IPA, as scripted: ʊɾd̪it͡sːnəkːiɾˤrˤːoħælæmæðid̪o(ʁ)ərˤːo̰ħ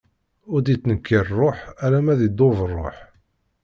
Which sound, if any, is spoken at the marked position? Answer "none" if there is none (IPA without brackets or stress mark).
v